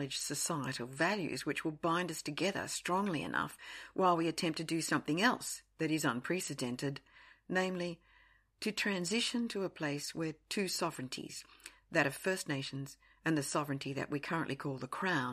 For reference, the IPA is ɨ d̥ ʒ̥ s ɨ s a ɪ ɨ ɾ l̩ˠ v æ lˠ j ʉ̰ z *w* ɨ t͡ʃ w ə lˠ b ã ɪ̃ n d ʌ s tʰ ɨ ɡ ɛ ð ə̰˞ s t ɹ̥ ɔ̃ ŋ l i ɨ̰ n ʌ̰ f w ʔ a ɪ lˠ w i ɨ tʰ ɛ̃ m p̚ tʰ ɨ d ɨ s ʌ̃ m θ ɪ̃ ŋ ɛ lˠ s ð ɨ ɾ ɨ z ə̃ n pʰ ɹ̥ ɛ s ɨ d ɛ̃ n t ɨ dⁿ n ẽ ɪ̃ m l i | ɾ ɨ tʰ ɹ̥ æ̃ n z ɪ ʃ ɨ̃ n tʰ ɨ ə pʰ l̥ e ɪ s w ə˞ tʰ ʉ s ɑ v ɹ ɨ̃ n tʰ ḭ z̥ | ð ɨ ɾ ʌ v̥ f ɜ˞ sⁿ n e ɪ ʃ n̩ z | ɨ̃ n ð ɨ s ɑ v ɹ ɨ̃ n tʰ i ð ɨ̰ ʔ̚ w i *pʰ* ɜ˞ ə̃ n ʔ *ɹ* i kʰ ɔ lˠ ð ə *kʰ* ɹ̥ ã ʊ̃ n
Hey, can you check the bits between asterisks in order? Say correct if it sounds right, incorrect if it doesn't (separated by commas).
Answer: correct, incorrect, incorrect, correct